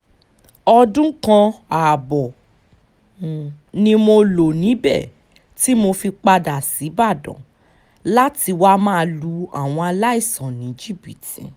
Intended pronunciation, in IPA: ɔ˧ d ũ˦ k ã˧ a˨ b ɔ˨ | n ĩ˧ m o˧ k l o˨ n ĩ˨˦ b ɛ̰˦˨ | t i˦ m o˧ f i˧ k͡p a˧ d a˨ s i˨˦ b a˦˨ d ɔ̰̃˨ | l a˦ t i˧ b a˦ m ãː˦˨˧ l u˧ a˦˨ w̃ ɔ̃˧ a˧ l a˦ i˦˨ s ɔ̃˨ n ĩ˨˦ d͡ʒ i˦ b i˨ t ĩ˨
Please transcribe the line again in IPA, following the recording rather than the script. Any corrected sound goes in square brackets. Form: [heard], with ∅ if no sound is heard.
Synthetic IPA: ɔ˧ d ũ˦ k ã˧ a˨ b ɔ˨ | n ĩ˧ m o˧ [∅] l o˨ n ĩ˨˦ b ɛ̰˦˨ | t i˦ m o˧ f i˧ k͡p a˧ d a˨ s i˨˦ b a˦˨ d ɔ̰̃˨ | l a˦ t i˧ [w] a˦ m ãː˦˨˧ l u˧ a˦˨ w̃ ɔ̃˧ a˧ l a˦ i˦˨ s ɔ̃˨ n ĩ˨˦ d͡ʒ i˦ b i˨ t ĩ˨